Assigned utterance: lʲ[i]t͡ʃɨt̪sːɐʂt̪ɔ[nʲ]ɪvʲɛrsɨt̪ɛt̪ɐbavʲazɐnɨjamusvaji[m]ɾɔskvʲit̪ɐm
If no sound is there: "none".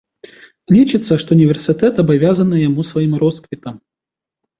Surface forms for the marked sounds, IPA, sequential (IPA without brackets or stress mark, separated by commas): i, nʲ, m